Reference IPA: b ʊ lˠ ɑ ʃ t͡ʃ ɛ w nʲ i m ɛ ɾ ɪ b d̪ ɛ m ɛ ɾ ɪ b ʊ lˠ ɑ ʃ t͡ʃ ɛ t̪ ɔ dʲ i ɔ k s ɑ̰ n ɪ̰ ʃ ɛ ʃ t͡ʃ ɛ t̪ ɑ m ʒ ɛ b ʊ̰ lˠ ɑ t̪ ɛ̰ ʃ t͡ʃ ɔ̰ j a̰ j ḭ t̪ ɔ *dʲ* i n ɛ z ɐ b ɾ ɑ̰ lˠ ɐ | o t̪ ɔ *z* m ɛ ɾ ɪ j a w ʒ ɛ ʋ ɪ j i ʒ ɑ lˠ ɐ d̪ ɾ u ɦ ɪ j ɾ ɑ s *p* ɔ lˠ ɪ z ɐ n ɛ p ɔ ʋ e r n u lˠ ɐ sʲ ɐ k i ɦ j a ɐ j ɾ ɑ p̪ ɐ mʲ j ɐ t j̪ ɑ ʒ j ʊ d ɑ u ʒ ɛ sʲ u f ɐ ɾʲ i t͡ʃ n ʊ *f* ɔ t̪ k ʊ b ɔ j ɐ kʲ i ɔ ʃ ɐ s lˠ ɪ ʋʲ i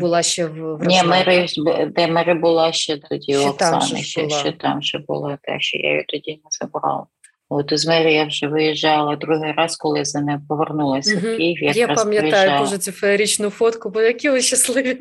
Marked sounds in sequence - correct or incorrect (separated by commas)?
correct, correct, incorrect, correct